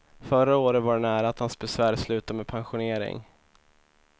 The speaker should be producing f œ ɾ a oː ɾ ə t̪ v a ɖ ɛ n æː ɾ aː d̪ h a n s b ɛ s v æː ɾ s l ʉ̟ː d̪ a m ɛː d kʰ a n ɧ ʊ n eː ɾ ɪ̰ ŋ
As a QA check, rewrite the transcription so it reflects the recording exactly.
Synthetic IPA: f œ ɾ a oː ɾ ə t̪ v a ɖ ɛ n æː ɾ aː t̪ h a n s b ɛ s v æː ɾ s l ʉ̟ː t̪ a m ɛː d pʰ a n ɧ ʊ n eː ɾ ɪ̰ ŋ